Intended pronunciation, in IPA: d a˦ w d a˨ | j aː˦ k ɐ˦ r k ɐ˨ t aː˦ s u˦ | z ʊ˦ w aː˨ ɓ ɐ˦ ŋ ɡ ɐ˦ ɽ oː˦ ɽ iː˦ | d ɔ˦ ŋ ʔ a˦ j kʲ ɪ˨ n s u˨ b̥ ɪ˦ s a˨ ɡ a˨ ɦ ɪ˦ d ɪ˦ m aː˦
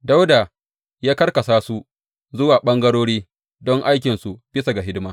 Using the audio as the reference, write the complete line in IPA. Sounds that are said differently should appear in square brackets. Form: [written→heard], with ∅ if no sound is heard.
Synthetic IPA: d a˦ w d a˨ | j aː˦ k ɐ˦ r k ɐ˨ [t→s] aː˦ s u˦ | z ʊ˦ w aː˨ ɓ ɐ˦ ŋ ɡ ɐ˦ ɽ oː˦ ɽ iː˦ | d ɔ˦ ŋ ʔ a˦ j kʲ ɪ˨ n s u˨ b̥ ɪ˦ s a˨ ɡ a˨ ɦ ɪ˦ d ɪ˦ m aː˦